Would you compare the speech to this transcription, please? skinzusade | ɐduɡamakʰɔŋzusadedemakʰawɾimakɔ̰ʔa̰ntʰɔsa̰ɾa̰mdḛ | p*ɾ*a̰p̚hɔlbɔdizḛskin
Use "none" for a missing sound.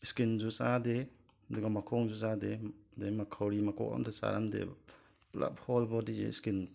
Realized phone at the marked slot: l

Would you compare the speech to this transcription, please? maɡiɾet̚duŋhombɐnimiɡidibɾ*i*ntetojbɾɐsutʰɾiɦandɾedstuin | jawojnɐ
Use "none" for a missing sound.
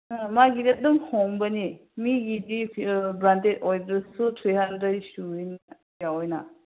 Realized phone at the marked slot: a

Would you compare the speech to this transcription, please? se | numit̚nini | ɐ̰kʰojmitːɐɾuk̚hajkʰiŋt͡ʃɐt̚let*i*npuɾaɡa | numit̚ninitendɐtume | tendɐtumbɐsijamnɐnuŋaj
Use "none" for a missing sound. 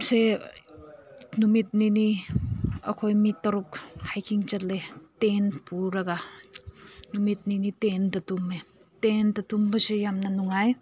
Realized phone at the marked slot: e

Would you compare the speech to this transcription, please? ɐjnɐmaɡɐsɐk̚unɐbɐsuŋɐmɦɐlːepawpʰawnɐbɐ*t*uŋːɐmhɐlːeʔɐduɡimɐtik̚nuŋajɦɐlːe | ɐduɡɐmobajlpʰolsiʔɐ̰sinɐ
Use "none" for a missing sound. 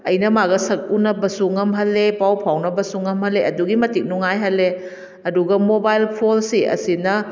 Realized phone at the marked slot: s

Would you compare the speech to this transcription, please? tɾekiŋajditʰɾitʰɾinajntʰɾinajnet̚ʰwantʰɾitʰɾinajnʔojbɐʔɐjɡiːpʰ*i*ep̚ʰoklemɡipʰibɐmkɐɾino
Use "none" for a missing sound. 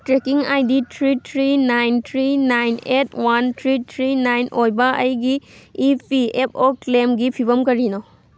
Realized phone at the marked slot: i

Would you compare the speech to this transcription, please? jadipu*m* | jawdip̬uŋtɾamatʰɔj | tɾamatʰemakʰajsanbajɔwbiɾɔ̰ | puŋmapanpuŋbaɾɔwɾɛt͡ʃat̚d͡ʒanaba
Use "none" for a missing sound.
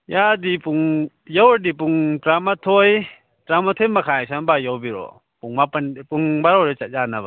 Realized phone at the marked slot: ŋ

